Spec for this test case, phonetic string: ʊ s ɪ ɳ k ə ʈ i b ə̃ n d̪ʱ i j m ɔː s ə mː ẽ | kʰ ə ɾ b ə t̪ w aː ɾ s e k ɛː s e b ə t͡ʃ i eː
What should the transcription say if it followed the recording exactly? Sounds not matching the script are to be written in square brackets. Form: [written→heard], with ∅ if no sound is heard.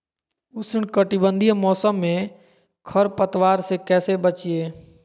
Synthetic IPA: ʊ s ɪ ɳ k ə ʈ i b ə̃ n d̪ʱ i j m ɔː s ə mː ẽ | kʰ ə ɾ [b→p] ə t̪ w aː ɾ s e k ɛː s e b ə t͡ʃ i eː

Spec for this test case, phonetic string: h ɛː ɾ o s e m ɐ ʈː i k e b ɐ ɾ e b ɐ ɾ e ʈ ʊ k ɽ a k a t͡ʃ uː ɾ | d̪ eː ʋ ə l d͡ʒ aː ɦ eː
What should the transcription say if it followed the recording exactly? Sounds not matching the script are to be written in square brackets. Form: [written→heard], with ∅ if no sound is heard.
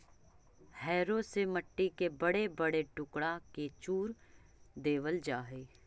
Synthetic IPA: h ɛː ɾ o s e m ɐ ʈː i k e b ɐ [ɾ→ɽ] e b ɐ [ɾ→ɽ] e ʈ ʊ k ɽ a k [a→e] t͡ʃ uː ɾ | d̪ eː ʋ ə l d͡ʒ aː ɦ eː

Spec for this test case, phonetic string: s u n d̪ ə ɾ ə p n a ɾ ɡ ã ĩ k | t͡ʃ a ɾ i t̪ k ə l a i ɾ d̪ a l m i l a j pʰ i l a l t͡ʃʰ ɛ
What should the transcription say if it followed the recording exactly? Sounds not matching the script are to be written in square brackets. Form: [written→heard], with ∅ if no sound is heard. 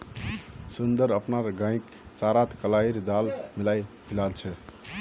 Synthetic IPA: s u n d̪ ə ɾ ə p n a ɾ ɡ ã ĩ k | t͡ʃ a ɾ [i→a] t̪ k ə l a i ɾ d̪ a l m i l a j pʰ i l a l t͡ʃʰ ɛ

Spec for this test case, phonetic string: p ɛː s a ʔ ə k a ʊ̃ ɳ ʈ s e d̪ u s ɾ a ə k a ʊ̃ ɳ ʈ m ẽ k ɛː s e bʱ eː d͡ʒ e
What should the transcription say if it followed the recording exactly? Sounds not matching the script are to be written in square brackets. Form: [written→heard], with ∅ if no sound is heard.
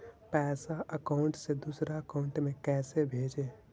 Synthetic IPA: p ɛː s a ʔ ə k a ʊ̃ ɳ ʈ s e d̪ u s ɾ a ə k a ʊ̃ ɳ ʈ m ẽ k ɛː s e bʱ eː d͡ʒ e

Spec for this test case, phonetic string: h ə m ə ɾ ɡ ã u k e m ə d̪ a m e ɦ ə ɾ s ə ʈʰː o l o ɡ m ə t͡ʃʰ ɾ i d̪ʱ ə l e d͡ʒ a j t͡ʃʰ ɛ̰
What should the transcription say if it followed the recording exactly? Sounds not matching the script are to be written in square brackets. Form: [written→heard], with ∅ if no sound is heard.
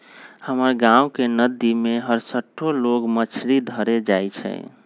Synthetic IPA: h ə m ə ɾ ɡ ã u k e [m→n] ə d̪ [a→i] m e ɦ ə ɾ s ə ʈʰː o l o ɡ m ə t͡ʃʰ ɾ i d̪ʱ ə [l→ɾ] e d͡ʒ a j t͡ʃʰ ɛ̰

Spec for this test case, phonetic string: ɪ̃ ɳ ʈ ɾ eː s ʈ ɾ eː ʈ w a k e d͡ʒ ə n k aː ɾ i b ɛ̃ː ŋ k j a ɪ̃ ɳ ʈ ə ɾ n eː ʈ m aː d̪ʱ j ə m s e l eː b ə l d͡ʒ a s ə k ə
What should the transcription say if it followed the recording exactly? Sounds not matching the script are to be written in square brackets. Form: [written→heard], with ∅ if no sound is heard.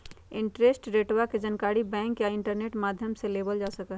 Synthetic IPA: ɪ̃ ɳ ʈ ɾ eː s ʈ ɾ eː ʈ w a k e d͡ʒ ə n k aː ɾ i b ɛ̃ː ŋ k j a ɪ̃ ɳ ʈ ə ɾ n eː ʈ m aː d̪ʱ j ə m s e l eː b ə l d͡ʒ a s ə k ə

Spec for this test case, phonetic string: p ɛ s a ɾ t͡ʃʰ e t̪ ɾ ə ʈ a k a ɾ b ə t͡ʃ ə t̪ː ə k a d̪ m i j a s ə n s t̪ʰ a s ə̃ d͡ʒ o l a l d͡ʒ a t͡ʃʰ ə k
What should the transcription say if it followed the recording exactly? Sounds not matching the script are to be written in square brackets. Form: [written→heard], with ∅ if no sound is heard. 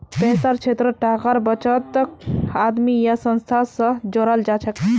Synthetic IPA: p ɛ s a ɾ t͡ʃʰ e t̪ ɾ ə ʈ a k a ɾ b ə t͡ʃ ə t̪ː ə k a d̪ m i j a s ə n s t̪ʰ a s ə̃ d͡ʒ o [l→ɾ] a l d͡ʒ a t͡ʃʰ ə k

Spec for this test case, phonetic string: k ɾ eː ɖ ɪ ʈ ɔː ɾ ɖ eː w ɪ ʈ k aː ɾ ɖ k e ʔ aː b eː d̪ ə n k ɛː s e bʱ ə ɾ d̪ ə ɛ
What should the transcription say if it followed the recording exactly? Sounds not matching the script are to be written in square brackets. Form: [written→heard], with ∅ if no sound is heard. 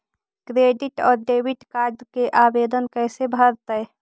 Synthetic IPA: k ɾ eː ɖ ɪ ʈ ɔː ɾ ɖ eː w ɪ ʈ k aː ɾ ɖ k e ʔ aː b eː d̪ ə n k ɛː s e bʱ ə ɾ [d̪→t̪] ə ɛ

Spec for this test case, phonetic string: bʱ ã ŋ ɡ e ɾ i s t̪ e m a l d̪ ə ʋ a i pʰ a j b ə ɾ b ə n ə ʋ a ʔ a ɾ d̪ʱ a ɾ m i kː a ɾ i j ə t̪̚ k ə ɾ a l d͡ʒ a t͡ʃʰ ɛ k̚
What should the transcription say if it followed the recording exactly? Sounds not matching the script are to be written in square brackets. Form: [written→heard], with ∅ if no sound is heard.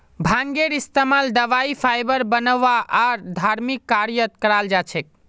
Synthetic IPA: bʱ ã ŋ ɡ e ɾ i s t̪ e m a l d̪ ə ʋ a i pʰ a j b ə ɾ b ə n ə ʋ a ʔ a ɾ d̪ʱ a ɾ m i kː a ɾ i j ə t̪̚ k ə ɾ a l d͡ʒ a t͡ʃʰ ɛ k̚

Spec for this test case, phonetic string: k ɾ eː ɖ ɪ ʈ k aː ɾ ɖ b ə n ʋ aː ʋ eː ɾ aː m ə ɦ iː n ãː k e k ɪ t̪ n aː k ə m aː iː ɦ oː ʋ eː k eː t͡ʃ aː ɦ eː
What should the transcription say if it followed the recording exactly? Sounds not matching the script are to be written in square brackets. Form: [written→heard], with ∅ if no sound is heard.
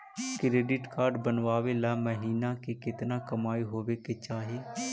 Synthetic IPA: k ɾ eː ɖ ɪ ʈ k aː ɾ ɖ b ə n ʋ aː ʋ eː [ɾ→l] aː m ə ɦ iː n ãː k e k ɪ t̪ n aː k ə m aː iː ɦ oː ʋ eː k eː t͡ʃ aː ɦ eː

